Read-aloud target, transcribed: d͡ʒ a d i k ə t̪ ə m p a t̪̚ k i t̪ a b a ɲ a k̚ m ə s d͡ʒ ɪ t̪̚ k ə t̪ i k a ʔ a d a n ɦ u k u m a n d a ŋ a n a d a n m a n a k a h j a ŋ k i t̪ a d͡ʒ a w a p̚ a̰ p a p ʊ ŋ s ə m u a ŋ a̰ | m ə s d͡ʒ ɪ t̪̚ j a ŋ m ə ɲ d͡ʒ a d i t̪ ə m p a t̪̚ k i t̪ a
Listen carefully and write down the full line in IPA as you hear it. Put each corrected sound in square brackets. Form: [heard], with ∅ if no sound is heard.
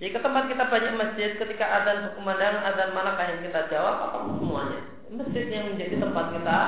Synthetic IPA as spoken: d͡ʒ a d i k ə t̪ ə m p a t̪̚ k i t̪ a b a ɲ a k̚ m ə s d͡ʒ ɪ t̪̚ k ə t̪ i k a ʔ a d a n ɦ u k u m a n d a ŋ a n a d a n m a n a k a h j a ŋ k i t̪ a d͡ʒ a w a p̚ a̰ p a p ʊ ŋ s ə m u a [ɲ] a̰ | m ə s d͡ʒ ɪ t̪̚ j a ŋ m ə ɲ d͡ʒ a d i t̪ ə m p a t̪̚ k i t̪ a